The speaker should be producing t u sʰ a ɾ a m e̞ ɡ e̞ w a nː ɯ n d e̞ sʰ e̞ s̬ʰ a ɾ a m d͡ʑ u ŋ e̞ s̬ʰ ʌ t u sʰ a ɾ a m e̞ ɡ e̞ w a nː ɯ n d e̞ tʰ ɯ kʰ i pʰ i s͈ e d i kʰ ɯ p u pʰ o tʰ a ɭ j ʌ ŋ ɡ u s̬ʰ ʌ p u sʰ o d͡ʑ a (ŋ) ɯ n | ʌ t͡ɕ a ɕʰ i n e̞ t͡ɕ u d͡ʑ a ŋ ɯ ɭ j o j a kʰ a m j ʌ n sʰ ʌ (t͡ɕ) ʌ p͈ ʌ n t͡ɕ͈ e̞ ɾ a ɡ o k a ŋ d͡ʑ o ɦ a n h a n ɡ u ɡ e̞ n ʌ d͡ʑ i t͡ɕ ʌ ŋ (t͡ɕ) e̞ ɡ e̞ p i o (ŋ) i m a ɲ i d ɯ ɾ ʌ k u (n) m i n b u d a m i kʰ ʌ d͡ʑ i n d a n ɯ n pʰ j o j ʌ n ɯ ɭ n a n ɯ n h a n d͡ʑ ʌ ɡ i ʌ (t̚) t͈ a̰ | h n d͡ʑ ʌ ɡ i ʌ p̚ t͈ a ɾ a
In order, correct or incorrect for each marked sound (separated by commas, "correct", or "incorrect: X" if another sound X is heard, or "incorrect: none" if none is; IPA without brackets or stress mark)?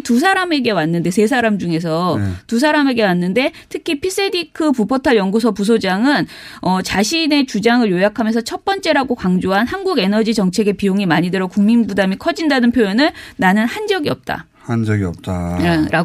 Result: correct, incorrect: t͡ɕʰ, incorrect: t͡ɕʰ, correct, incorrect: ŋ, incorrect: p̚